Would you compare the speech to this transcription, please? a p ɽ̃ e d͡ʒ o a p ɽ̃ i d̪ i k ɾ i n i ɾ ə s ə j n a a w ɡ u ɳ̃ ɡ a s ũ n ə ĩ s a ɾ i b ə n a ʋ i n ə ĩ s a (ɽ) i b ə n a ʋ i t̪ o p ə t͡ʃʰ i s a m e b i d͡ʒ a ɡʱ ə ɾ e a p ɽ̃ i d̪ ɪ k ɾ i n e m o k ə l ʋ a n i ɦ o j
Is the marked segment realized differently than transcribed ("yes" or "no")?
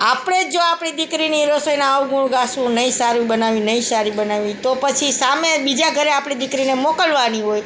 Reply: yes